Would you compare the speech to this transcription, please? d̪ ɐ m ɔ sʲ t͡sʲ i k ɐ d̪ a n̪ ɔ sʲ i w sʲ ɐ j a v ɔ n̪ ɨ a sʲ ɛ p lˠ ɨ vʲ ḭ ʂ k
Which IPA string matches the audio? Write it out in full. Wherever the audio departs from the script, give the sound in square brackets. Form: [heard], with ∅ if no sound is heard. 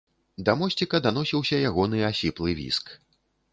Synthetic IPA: d̪ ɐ m ɔ sʲ t͡sʲ i k ɐ d̪ a n̪ ɔ sʲ i w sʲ ɐ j a [ɣ] ɔ n̪ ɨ a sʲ [i] p lˠ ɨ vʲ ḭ [s] k

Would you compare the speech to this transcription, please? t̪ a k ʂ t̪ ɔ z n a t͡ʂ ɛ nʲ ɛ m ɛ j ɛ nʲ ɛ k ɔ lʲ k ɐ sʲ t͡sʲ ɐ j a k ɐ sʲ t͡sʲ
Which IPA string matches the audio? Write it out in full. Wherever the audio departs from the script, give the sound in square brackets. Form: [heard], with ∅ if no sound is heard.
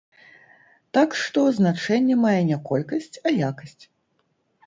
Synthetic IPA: t̪ a k ʂ t̪ ɔ z n a t͡ʂ ɛ [nʲː] ɛ m [a] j ɛ nʲ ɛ k ɔ lʲ k ɐ sʲ t͡sʲ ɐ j a k ɐ sʲ t͡sʲ

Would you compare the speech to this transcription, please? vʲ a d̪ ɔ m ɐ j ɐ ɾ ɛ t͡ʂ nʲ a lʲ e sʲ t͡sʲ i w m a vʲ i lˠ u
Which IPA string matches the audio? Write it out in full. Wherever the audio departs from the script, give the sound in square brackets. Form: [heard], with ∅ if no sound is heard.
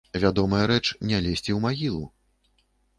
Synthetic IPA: vʲ a d̪ ɔ m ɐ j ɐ ɾ ɛ t͡ʂ nʲ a lʲ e sʲ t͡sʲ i w m a [ɣʲ] i lˠ u

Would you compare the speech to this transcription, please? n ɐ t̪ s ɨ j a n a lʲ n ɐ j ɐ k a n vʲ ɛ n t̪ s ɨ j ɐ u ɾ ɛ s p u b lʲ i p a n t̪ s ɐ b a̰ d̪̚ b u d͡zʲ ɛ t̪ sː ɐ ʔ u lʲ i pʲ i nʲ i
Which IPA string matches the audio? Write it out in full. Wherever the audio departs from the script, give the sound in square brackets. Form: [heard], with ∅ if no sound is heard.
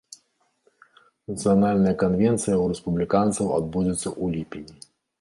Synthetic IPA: n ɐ t̪ s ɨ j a n a lʲ n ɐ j ɐ k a n vʲ ɛ n t̪ s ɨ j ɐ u ɾ ɛ s p u b lʲ i [k] a n t̪ s ɐ [w] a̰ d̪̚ b u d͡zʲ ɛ t̪ sː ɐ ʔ u lʲ i pʲ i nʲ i

